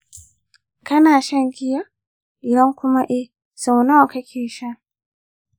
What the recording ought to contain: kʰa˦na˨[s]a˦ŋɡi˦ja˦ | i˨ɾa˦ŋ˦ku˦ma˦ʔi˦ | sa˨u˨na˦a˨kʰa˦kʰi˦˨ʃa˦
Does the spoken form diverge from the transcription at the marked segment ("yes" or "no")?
yes